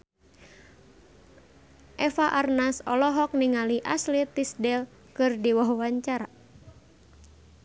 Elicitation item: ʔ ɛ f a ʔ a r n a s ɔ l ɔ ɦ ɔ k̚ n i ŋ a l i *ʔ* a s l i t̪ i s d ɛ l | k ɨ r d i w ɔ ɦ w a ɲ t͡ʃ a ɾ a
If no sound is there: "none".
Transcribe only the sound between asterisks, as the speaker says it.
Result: ʔ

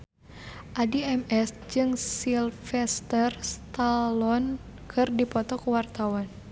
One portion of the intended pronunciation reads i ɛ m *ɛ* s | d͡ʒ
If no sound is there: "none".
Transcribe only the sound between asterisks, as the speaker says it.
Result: ɛ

